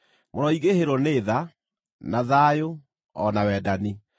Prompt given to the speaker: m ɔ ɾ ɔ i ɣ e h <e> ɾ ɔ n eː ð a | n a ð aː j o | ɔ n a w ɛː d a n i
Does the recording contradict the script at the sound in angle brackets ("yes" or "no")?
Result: no